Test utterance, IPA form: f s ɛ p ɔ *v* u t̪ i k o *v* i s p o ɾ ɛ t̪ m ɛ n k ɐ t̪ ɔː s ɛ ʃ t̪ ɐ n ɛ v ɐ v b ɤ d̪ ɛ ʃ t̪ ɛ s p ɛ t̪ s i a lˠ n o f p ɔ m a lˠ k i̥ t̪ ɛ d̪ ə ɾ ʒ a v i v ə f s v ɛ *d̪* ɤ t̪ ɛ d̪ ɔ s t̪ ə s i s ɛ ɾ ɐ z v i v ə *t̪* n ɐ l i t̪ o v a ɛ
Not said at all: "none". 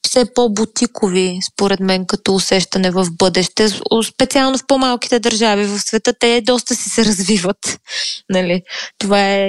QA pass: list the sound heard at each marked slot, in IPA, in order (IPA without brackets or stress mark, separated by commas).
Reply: b, v, t̪, t̪